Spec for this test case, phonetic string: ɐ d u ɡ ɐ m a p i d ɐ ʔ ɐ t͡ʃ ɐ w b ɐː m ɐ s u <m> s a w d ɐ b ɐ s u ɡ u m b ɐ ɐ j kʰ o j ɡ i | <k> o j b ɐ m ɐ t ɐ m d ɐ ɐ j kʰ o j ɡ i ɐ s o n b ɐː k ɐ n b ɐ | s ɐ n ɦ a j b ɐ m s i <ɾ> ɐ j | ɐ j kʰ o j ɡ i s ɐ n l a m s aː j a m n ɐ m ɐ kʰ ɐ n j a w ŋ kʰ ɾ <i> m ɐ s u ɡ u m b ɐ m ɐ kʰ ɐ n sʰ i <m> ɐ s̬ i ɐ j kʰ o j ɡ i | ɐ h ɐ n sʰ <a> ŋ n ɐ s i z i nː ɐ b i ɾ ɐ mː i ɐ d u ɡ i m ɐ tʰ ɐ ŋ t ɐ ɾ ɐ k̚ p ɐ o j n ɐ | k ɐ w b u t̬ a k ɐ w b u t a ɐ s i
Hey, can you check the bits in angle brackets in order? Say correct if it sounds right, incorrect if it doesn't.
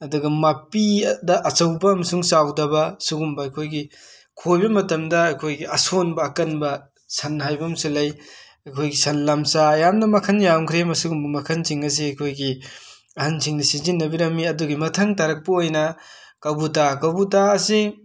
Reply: incorrect: ŋ, incorrect: kʰ, incorrect: l, incorrect: e, incorrect: ŋ, incorrect: i

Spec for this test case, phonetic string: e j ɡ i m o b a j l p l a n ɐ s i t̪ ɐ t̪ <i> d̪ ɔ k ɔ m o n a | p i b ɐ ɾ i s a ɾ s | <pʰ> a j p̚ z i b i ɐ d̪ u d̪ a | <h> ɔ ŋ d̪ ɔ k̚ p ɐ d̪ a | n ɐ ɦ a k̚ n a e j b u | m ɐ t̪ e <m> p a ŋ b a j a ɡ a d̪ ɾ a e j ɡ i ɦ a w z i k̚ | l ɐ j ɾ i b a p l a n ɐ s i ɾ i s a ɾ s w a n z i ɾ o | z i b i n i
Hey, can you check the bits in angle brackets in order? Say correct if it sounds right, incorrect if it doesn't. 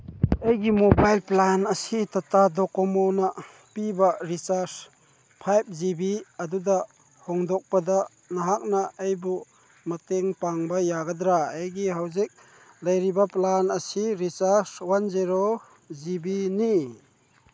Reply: incorrect: a, correct, correct, incorrect: ŋ

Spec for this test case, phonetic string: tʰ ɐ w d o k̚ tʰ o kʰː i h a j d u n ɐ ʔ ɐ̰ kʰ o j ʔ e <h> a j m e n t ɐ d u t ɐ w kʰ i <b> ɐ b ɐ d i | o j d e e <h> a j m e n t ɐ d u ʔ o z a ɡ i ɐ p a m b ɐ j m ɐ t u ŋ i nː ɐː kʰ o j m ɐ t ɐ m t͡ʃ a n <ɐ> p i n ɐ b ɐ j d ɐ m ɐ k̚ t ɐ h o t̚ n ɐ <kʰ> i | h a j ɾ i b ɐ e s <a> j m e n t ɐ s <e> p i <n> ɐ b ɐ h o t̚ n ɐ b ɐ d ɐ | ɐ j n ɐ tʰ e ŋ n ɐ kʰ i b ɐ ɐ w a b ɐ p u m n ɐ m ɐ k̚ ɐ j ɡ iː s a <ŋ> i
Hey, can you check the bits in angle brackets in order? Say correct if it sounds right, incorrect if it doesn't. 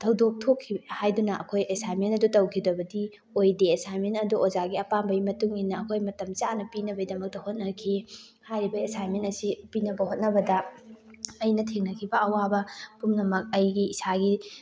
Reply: incorrect: s, incorrect: d, incorrect: s, correct, correct, correct, incorrect: i, correct, incorrect: ɡ

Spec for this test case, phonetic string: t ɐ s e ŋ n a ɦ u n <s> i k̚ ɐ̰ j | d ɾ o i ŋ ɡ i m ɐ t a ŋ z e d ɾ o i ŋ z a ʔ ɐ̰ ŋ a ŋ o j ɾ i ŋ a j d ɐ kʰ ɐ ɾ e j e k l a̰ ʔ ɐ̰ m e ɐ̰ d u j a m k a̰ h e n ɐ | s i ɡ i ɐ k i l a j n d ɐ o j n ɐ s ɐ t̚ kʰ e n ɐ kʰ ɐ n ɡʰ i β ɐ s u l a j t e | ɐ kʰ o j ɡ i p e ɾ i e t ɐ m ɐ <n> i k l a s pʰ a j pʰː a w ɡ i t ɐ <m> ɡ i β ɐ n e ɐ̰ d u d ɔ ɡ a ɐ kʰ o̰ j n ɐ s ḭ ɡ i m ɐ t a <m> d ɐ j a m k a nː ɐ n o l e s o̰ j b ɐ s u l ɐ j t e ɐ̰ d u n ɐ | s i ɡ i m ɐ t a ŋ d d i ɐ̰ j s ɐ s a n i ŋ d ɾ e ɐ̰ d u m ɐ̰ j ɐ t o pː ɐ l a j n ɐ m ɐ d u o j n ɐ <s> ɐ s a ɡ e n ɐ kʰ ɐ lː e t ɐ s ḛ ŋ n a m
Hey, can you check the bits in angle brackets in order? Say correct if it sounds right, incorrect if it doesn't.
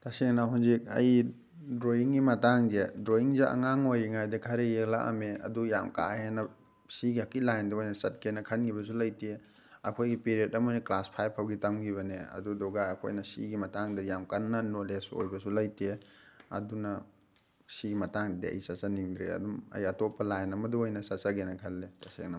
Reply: incorrect: z, correct, correct, incorrect: ŋ, correct

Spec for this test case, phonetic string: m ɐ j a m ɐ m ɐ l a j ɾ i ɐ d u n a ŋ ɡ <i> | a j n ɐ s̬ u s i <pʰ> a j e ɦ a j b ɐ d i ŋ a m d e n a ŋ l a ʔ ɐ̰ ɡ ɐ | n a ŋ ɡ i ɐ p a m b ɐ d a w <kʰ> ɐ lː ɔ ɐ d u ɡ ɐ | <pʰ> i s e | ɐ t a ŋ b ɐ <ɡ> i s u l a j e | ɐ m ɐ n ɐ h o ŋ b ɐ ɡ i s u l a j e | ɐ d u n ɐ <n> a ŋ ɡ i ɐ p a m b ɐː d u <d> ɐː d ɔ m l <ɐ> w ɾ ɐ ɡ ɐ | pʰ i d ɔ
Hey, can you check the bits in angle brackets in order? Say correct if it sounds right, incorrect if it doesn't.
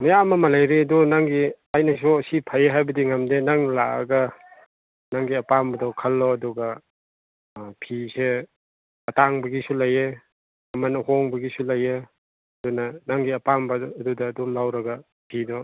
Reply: correct, correct, correct, correct, correct, correct, correct, incorrect: a

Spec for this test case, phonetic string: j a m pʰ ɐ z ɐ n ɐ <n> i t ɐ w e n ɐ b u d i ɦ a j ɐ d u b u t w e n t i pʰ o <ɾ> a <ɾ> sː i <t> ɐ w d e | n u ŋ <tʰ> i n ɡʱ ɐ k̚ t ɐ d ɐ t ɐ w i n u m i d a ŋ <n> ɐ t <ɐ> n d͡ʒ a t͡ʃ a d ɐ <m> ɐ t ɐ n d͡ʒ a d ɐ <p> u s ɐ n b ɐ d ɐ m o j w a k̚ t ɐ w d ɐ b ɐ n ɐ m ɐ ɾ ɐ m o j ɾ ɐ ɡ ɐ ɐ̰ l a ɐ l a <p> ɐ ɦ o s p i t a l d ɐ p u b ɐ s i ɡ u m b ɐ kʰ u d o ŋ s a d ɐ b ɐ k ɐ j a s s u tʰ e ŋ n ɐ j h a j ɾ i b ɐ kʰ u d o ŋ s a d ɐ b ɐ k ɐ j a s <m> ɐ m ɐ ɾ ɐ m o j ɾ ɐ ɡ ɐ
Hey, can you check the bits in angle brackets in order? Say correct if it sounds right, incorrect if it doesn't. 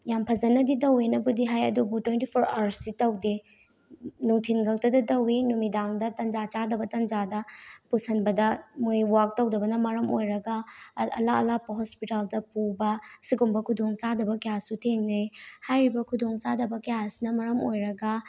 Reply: incorrect: d, correct, correct, correct, correct, incorrect: d, correct, incorrect: b, correct, correct, incorrect: n

